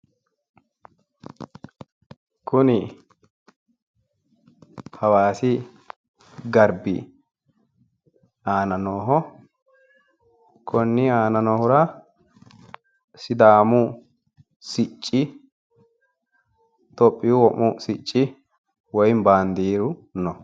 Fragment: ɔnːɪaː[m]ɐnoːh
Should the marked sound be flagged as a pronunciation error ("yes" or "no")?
yes